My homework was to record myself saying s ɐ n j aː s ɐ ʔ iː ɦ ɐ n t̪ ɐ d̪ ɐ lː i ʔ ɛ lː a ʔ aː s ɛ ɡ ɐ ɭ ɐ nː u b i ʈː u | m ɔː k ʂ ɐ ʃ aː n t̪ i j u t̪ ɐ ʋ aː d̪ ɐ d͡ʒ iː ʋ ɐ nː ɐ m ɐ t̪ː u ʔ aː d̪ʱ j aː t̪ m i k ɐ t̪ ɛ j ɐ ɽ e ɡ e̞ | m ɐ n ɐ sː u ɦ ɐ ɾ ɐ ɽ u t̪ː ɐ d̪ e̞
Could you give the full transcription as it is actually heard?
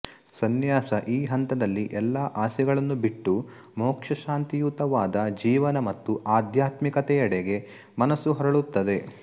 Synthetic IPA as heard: s ɐ n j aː s ɐ ʔ iː ɦ ɐ n t̪ ɐ d̪ ɐ lː i ʔ ɛ lː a ʔ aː s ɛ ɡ ɐ ɭ ɐ nː u b i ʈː u | m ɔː k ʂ ɐ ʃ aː n t̪ i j u t̪ ɐ ʋ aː d̪ ɐ d͡ʒ iː ʋ ɐ n ɐ m ɐ t̪ː u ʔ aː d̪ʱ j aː t̪ m i k ɐ t̪ ɛ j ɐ ɽ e ɡ e̞ | m ɐ n ɐ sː u ɦ ɐ ɾ ɐ ɭ u t̪ː ɐ d̪ e̞